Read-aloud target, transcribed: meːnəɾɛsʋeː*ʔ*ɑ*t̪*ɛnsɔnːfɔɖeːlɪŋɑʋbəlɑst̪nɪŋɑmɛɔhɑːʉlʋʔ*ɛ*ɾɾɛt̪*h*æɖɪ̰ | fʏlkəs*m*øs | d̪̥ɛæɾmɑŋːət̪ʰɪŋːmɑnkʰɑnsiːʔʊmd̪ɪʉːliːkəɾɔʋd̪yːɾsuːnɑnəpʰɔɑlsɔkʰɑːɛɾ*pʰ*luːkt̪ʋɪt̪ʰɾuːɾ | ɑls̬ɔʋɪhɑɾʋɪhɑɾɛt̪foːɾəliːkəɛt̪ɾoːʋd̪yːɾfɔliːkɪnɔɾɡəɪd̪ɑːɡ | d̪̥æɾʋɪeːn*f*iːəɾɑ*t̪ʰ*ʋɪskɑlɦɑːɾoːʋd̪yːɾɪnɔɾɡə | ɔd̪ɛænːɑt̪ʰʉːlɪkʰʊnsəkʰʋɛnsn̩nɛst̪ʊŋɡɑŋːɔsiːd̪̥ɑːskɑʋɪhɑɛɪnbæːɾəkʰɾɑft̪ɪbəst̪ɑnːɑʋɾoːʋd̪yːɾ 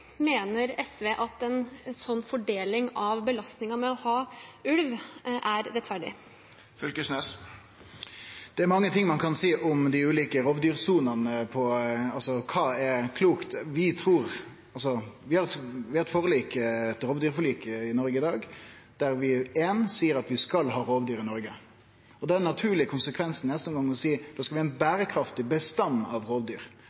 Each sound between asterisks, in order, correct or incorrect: correct, correct, incorrect: æ, incorrect: f, incorrect: n, incorrect: kʰ, incorrect: s, incorrect: t̪

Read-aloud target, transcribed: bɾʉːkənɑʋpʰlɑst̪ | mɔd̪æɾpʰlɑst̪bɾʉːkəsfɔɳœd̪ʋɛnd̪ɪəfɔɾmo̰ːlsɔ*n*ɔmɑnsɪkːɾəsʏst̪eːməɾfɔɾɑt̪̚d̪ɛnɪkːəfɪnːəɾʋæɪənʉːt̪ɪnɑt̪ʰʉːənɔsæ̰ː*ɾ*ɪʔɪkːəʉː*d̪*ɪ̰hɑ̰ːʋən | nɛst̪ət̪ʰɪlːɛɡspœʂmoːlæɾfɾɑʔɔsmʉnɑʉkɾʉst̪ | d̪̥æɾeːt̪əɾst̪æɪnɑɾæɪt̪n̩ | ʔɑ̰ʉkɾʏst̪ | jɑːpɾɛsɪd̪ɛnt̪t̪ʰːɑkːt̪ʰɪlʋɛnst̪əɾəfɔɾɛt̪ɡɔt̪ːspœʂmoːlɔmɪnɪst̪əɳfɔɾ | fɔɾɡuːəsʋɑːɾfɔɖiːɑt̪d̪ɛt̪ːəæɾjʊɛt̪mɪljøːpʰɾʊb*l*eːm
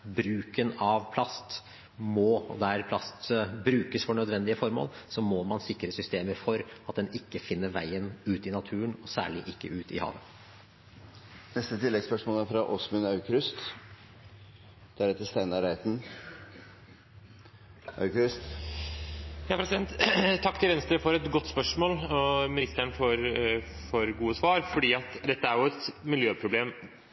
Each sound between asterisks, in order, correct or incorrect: incorrect: m, incorrect: ɭ, incorrect: t̪, correct

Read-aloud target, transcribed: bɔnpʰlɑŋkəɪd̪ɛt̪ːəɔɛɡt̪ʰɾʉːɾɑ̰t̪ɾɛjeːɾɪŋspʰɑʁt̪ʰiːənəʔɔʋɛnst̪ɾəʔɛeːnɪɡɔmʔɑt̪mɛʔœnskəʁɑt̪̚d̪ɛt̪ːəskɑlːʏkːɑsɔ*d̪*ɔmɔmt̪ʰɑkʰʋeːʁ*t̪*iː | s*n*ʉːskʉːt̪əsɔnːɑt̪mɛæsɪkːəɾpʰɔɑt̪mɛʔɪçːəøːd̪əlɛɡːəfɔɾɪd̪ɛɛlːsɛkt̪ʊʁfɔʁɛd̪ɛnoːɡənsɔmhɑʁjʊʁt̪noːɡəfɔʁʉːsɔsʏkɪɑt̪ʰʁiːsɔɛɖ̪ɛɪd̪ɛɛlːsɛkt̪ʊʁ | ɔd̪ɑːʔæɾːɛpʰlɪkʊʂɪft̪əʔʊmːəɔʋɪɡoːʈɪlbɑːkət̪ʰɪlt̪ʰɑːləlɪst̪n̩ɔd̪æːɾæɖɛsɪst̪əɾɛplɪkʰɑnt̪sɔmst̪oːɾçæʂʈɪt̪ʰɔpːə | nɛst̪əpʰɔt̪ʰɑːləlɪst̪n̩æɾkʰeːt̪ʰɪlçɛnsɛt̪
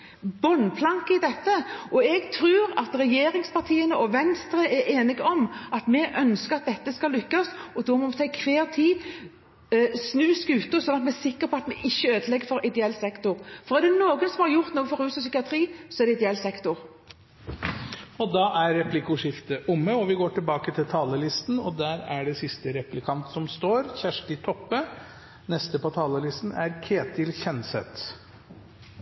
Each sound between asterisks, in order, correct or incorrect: correct, incorrect: t̪ʰ, correct

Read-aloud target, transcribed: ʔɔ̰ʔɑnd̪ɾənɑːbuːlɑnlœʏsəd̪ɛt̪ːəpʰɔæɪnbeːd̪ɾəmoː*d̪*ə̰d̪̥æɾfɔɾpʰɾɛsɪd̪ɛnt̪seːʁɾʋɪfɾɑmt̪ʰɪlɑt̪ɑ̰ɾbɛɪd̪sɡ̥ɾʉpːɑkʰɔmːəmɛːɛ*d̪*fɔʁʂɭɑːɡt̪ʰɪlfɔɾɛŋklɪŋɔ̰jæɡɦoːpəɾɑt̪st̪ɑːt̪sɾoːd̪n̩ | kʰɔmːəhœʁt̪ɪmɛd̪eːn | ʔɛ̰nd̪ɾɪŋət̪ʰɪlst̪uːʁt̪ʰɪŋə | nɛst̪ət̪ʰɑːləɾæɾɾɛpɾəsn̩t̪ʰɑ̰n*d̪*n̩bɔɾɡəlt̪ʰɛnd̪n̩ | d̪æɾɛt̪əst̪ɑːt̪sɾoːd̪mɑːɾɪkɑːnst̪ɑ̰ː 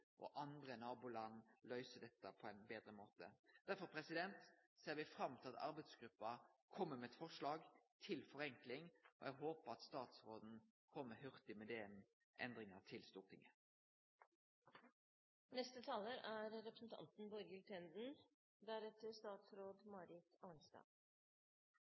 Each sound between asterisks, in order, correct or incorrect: incorrect: t̪, incorrect: t̪, incorrect: t̪

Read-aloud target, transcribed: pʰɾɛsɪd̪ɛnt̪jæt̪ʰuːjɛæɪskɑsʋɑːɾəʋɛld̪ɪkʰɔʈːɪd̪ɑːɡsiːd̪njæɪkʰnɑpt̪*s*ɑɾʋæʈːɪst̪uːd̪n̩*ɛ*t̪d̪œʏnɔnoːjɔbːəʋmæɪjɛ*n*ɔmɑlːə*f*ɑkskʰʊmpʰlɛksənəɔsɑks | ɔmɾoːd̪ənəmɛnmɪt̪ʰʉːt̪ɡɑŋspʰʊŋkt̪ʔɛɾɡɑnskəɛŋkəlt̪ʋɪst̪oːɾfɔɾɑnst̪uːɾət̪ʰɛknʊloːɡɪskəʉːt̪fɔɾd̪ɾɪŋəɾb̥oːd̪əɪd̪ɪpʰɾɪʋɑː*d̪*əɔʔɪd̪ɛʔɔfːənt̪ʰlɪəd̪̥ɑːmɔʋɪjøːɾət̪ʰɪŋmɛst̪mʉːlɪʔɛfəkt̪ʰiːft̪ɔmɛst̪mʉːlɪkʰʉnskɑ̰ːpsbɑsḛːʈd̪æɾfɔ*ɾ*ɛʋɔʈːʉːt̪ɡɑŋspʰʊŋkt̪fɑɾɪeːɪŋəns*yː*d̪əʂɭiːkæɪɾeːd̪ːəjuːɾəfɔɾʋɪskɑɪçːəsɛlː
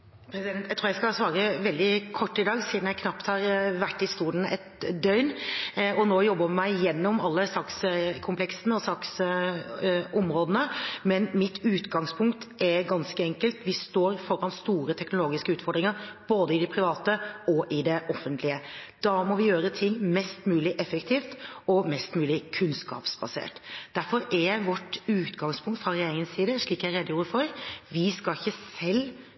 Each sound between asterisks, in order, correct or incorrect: incorrect: h, correct, incorrect: nː, incorrect: s, incorrect: t̪, correct, incorrect: iː

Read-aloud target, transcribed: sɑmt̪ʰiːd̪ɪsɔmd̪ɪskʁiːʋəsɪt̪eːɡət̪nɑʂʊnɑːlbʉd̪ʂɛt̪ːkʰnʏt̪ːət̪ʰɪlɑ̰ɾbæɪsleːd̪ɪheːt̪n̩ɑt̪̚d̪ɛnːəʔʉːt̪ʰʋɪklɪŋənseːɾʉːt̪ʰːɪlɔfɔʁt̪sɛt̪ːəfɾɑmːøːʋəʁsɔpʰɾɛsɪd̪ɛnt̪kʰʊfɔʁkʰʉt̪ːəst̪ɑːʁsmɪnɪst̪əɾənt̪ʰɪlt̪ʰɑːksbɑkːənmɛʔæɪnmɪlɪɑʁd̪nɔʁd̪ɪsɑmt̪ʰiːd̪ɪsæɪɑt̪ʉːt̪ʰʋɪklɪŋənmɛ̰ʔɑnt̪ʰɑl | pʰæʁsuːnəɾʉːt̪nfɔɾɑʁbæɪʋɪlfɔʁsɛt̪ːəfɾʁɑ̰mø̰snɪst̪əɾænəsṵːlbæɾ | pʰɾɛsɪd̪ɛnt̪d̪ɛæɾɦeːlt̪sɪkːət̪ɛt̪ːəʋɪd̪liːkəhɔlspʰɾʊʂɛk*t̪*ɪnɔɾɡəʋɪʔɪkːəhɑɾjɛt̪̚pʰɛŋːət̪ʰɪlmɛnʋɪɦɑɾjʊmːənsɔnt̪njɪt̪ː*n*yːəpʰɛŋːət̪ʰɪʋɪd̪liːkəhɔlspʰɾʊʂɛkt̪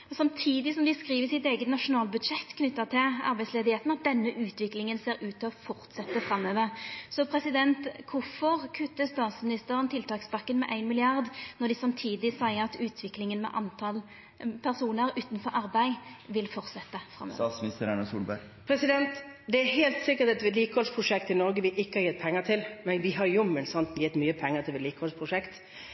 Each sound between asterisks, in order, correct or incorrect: correct, incorrect: m

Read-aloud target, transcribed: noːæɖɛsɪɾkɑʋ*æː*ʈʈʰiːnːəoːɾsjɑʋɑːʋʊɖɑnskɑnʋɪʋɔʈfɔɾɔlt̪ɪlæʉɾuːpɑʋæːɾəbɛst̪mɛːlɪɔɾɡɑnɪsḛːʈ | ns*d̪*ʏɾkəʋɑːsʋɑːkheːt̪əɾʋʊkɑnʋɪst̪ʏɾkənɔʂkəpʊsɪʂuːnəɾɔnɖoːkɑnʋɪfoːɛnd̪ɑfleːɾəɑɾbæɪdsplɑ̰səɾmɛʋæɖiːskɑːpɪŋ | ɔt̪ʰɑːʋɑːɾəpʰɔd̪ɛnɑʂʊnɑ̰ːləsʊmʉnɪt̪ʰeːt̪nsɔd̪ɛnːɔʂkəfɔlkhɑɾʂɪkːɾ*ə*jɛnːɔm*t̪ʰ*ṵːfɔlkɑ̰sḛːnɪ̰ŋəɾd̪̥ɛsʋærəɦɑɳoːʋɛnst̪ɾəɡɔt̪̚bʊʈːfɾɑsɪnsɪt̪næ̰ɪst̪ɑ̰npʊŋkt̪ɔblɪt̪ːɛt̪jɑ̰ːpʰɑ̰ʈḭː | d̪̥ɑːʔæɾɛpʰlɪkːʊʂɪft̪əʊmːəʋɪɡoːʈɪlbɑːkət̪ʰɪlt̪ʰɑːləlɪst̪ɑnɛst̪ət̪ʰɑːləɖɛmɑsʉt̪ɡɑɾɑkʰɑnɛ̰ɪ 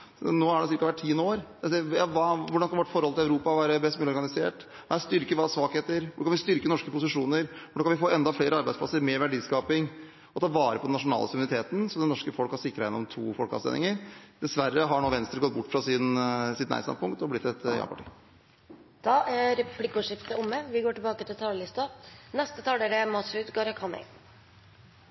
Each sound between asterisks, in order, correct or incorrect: incorrect: æ, incorrect: t̪, incorrect: ɑ, correct

